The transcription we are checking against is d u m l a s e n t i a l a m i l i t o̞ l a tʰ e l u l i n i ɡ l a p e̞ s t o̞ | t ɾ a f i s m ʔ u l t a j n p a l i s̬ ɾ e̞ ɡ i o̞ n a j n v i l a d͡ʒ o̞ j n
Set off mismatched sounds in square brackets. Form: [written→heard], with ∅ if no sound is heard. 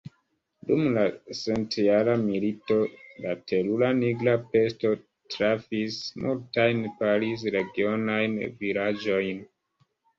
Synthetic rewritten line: d u m l a s e n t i a l a m i l i t o̞ l a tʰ e l u l [i→a] n i ɡ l a p e̞ s t o̞ | t ɾ a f i s m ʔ u l t a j n p a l i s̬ ɾ e̞ ɡ i o̞ n a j n v i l a d͡ʒ o̞ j n